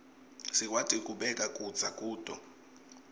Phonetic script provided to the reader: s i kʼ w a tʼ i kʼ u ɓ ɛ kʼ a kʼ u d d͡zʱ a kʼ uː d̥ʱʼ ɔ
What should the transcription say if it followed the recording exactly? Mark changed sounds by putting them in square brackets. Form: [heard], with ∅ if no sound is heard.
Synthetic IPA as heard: s i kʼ w a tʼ i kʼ u ɓ ɛ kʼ a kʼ u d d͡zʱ a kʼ uː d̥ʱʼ ɔ